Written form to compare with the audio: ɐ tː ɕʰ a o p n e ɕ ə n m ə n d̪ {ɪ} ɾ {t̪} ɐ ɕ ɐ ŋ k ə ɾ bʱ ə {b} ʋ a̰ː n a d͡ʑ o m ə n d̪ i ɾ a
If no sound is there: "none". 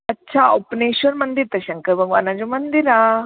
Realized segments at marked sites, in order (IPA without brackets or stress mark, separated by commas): i, t̪, ɡ